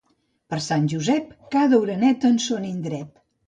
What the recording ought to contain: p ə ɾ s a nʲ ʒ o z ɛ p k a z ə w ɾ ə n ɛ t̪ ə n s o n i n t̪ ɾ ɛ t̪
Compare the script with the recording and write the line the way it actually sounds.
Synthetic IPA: p ə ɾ s a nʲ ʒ u z ɛ p k a ð ə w ɾ ə n ɛ t̪ ə n s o n i n d̪ ɾ ɛ t̪

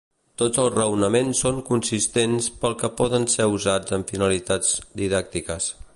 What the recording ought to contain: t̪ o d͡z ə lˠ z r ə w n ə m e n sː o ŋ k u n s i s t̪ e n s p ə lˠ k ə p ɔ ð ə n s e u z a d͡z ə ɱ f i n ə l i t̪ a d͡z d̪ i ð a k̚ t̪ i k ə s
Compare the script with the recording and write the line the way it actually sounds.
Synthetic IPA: t̪ o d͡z ə lˠ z r ə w n ə m e n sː o ŋ k u n s i s t̪ e n s p ə lˠ k ə p ɔ ð ə n s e u z a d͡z ə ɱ f i n ə l i t̪ a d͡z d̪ i ð a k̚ t̪ i k ə s

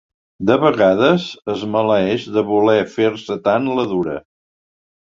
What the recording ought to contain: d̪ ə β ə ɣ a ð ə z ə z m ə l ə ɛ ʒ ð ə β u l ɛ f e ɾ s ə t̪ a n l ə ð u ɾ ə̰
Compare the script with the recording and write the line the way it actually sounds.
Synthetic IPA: d̪ ə β ə ɣ a ð ə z ə z m ə l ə ɛ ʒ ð ə β u l ɛ f e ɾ s ə t̪ a n l ə ð u ɾ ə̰

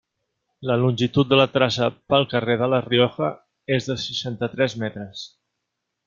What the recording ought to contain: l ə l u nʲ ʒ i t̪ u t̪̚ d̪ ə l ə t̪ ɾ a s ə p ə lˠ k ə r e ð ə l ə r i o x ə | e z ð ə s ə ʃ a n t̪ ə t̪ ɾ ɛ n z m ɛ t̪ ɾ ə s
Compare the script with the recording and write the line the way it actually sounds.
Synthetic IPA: l ə l u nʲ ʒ i t̪ u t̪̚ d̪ ə l ə t̪ ɾ a s ə p ə lˠ k ə r e ð ə l ə r i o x ə | e z ð ə s ə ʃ a n t̪ ə t̪ ɾ ɛ z m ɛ t̪ ɾ ə s

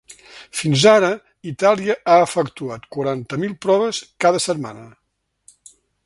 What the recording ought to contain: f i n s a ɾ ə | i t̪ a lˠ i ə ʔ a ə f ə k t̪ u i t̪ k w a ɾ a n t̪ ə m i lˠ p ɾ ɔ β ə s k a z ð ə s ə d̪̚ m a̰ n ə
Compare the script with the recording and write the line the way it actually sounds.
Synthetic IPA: f i n z a ɾ ə | i t̪ a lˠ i ə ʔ a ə f ə k t̪ u a t̪ k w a ɾ a n t̪ ə m i lˠ p ɾ ɔ β ə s k a ð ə s ə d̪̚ m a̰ n ə

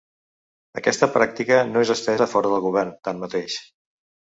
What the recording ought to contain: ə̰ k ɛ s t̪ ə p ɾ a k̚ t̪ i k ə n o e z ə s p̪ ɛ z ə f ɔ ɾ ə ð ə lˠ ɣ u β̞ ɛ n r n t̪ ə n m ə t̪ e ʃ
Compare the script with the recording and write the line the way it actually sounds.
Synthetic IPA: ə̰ k ɛ s t̪ ə p ɾ a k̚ t̪ i k ə n o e z ə s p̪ ɛ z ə f ɔ ɾ ə ð ə lˠ ɣ u β̞ ɛ r n t̪ a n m ə t̪ e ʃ

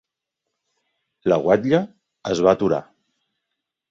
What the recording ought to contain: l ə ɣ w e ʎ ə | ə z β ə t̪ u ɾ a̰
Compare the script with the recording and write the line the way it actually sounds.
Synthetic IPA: l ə ɣ w a ʎ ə | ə z β a t̪ u ɾ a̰

